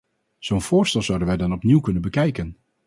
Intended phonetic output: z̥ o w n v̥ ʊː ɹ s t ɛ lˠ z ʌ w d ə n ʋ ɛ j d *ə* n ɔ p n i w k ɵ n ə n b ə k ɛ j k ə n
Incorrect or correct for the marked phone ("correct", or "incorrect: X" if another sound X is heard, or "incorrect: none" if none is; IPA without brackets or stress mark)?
incorrect: ɑ